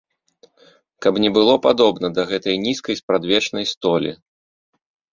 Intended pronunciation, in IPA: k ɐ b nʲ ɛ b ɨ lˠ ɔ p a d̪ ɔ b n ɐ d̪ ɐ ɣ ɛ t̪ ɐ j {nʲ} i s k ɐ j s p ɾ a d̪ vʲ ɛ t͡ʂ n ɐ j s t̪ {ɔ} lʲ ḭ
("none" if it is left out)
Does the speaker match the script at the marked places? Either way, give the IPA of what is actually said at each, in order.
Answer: nʲ, ɔ

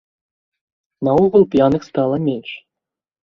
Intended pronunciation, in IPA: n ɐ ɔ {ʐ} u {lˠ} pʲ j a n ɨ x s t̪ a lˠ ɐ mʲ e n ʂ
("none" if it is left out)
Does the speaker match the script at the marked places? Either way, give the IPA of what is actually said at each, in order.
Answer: ɣ, lˠ

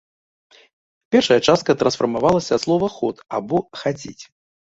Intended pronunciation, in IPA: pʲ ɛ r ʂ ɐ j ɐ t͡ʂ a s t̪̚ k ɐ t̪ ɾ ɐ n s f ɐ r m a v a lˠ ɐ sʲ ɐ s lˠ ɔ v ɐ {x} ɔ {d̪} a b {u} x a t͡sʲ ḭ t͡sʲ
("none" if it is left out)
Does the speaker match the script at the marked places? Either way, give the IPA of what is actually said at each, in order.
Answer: x, t̪, ɔ

